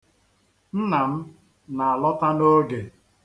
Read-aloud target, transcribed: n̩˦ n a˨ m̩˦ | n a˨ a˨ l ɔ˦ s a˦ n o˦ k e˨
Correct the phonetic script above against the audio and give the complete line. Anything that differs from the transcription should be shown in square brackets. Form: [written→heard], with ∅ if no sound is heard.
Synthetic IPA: n̩˦ n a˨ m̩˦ | n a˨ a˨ l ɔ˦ [s→t] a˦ n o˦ [k→ɡ] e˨